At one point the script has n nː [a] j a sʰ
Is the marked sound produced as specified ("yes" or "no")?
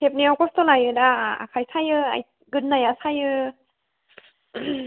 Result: yes